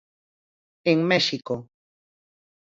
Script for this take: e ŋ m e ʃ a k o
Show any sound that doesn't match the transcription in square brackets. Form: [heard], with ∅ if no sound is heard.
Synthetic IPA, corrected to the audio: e ŋ m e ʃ [i] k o